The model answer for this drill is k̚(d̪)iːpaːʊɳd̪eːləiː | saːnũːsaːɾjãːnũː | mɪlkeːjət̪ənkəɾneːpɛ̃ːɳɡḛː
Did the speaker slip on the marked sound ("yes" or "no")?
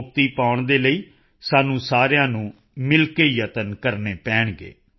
yes